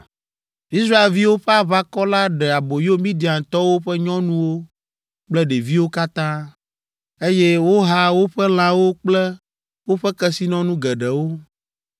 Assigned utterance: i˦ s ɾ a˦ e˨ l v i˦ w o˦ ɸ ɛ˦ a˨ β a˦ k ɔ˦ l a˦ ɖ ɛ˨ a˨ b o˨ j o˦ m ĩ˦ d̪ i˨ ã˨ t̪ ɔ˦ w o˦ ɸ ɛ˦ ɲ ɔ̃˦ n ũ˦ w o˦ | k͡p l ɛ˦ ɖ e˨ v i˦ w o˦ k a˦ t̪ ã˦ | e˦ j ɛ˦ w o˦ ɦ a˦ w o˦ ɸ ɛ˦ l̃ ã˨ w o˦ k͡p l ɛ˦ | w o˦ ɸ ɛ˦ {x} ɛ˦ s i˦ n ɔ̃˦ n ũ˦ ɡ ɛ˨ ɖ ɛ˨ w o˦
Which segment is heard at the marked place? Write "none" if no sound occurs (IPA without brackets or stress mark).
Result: k